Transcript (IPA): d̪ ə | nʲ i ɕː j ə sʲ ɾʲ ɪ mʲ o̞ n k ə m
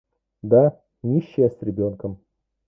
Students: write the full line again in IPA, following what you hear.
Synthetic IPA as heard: d̪ a | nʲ i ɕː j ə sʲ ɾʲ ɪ bʲ o̞ n k ə m

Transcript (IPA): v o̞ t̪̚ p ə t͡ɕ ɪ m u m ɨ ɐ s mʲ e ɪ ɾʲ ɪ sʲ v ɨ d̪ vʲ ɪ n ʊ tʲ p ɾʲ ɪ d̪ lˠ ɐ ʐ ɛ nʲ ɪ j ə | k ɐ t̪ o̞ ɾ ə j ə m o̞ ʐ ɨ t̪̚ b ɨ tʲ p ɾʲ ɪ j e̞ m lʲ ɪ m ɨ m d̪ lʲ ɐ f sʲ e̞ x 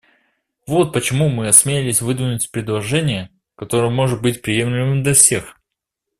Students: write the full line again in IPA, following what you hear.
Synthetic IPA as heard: v o̞ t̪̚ p ə t͡ɕ ɪ m u m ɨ ɐ s mʲ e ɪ lʲ ɪ sʲ v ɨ d̪ vʲ ɪ n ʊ tʲ p ɾʲ ɪ d̪ lˠ ɐ ʐ ɛ nʲ ɪ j ə | k ɐ t̪ o̞ ɾ ə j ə m o̞ ʐ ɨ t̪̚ b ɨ tʲ p ɾʲ ɪ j e̞ m lʲ ɪ m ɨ m d̪ lʲ ɐ f sʲ e̞ x

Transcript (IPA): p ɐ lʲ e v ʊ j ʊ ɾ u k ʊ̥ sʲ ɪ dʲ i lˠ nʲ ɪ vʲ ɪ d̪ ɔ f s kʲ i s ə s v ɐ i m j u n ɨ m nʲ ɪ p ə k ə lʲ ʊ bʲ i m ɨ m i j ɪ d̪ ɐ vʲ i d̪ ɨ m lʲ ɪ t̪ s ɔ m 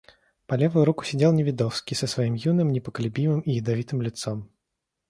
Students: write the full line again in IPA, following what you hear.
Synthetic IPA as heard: p ɐ lʲ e v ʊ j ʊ ɾ u k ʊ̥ sʲ ɪ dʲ e lˠ nʲ ɪ vʲ ɪ d̪ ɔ f s kʲ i s ə s v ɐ i m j u n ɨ m nʲ ɪ p ə k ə lʲ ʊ bʲ i m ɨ m i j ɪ d̪ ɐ vʲ i t̪ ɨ m lʲ ɪ t̪ s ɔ m

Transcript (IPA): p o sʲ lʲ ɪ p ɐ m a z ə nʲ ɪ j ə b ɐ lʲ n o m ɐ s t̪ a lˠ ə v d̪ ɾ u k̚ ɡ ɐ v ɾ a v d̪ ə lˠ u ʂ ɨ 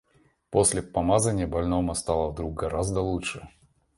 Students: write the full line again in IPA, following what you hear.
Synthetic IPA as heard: p o sʲ lʲ ɪ p ɐ m a z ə nʲ ɪ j ə b ɐ lʲ n o m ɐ s t̪ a lˠ ə v d̪ ɾ u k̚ ɡ ɐ ɾ a z d̪ ə lˠ u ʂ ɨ

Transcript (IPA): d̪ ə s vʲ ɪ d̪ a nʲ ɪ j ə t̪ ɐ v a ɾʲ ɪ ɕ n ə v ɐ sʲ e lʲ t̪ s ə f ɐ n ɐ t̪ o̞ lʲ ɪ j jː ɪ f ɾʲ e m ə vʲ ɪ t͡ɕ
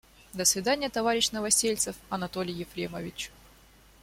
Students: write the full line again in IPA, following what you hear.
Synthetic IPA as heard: d̪ ə s vʲ ɪ d̪ a nʲ ɪ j ə t̪ ɐ v a ɾʲ ɪ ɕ n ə v ɐ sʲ e lʲ t̪ s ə f ɐ n ɐ t̪ o̞ lʲ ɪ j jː ɪ f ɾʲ e m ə vʲ ɪ t͡ɕ

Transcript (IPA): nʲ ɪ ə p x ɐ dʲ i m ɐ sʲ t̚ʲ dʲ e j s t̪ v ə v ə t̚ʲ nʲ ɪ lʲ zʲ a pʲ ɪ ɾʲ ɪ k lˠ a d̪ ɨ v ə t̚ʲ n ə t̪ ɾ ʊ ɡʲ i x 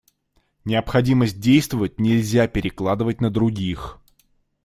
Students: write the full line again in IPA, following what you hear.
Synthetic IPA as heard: nʲ ɪ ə p x ɐ dʲ i m ə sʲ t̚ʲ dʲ e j s t̪ v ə v ə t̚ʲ nʲ ɪ lʲ zʲ a pʲ ɪ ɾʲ ɪ k lˠ a d̪ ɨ v ə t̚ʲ n ə d̪ ɾ ʊ ɡʲ i x

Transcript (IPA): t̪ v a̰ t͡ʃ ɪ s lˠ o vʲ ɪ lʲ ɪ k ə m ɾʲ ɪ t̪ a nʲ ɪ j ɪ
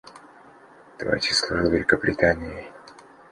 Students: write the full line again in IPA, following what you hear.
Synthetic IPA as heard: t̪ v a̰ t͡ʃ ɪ s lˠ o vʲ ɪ lʲ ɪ k ə b ɾʲ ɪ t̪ a nʲ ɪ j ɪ

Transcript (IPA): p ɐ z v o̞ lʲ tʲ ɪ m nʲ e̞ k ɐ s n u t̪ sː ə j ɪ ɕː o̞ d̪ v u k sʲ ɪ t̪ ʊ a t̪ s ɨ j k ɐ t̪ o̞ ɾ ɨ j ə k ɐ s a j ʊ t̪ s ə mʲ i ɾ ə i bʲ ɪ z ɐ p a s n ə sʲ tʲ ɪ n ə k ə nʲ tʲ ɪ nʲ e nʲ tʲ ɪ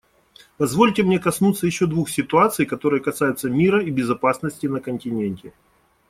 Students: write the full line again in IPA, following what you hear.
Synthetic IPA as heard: p ɐ z v o̞ lʲ tʲ ɪ m nʲ e̞ k ɐ s n u t̪ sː ə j ɪ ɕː o̞ d̪ v u x sʲ ɪ t̪ ʊ a t̪ s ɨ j k ɐ t̪ o̞ ɾ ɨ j ə k ɐ s a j ʊ t̪ s ə mʲ i ɾ ə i bʲ ɪ z ɐ p a s n ə sʲ tʲ ɪ n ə k ə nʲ tʲ ɪ nʲ e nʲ tʲ ɪ

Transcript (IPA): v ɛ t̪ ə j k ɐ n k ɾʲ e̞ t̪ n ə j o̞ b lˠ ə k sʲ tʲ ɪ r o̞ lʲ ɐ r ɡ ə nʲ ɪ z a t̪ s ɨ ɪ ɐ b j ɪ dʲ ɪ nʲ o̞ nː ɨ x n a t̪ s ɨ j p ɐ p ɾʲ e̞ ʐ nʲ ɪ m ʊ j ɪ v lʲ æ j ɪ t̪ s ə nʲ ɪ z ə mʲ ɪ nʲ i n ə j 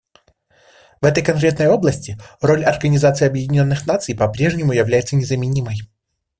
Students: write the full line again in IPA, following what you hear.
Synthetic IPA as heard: v ɛ t̪ ə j k ɐ n k ɾʲ e̞ t̪ n ə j o̞ b lˠ ə sʲ tʲ ɪ r o̞ lʲ ɐ r ɡ ə nʲ ɪ z a t̪ s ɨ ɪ ɐ b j ɪ dʲ ɪ nʲ o̞ nː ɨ x n a t̪ s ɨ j p ɐ p ɾʲ e̞ ʐ nʲ ɪ m ʊ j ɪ v lʲ æ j ɪ t̪ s ə nʲ ɪ z ə mʲ ɪ nʲ i m ə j

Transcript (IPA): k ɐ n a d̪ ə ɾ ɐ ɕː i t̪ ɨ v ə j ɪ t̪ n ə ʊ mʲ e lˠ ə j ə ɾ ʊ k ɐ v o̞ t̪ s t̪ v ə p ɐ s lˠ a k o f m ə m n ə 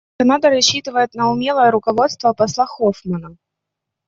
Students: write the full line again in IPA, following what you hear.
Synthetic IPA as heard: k ɐ n a d̪ ə ɾ ɐ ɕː i t̪ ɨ v ə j ɪ t̪ n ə ʊ mʲ e lˠ ə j ə ɾ ʊ k ɐ v o̞ t̪ s t̪ v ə p ɐ s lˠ a x o f m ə n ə

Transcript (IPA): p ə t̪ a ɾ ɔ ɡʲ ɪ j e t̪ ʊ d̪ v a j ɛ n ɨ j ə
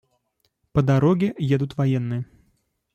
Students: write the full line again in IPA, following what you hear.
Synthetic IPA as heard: p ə d̪ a ɾ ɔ ɡʲ ɪ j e d̪ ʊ t̪ v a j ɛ nː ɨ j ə

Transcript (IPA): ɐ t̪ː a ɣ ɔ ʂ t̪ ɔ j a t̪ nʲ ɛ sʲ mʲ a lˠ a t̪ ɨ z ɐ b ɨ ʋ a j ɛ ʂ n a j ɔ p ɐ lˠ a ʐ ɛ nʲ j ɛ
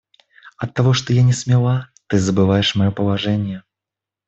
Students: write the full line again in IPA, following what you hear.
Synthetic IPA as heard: ɐ t̪ː a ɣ ɔ ʂ t̪ ɔ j a nʲ ɛ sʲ mʲ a lˠ a t̪ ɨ z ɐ b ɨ v a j ɛ ʂ m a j ɔ p ɐ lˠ a ʐ ɛ nʲ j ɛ

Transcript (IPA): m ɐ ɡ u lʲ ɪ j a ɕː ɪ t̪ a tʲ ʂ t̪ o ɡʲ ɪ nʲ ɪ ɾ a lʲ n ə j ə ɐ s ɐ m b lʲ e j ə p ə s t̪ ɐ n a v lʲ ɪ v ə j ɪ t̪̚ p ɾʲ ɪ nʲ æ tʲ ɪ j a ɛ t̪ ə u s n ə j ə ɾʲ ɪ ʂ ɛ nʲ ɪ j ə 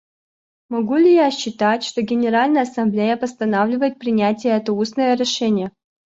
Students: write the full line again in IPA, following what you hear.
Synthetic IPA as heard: m ɐ ɡ u lʲ ɪ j a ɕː ɪ t̪ a tʲ ʂ t̪ o ɡʲ ɪ nʲ ɪ ɾ a lʲ n ə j ə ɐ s ɐ m b lʲ e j ə p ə s t̪ ɐ n a v lʲ ɪ v ə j ɪ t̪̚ p ɾʲ ɪ nʲ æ tʲ ɪ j ə ɛ t̪ ə u s n ə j ə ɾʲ ɪ ʂ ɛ nʲ ɪ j ə

